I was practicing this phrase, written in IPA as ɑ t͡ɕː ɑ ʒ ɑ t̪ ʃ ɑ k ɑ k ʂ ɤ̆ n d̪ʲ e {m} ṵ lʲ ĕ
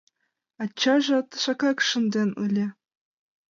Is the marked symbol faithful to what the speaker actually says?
no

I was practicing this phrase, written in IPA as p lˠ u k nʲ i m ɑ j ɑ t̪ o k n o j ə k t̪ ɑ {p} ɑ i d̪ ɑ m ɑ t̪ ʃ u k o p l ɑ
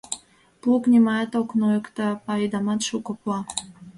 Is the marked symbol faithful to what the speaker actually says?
yes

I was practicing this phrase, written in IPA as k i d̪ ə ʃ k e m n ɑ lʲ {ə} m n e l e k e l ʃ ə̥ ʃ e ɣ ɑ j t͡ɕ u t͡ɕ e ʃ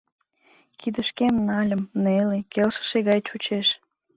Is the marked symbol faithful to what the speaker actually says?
yes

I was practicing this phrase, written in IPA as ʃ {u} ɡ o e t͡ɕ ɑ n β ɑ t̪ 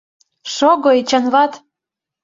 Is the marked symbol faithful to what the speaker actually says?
no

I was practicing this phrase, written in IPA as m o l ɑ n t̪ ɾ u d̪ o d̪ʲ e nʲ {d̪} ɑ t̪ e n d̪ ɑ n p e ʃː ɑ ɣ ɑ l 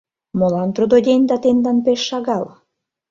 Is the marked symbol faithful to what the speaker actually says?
yes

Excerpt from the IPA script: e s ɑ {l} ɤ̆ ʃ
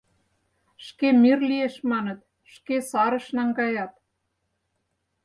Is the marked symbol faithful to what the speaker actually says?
no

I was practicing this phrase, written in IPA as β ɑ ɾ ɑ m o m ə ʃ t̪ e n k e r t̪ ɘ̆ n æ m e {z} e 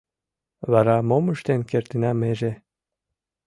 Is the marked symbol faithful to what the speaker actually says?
no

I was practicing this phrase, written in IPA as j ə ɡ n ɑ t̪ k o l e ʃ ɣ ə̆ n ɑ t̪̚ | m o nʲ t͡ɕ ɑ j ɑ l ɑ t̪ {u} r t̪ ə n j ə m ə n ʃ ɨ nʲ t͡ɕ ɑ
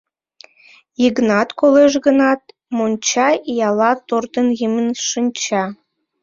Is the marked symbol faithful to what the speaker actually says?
no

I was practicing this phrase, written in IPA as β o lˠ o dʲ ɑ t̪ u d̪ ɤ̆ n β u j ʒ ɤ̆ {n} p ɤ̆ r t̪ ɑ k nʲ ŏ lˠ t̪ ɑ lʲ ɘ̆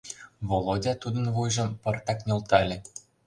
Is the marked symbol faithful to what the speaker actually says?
no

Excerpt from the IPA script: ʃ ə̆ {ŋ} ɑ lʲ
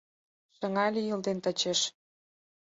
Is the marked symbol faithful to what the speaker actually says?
yes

